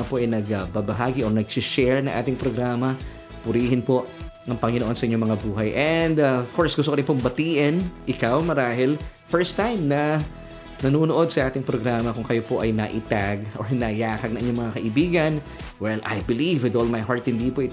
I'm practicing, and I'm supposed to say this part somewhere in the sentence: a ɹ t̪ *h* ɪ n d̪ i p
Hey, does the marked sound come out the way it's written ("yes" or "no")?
yes